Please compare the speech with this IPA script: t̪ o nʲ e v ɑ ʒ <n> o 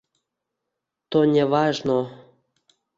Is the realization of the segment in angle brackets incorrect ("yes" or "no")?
no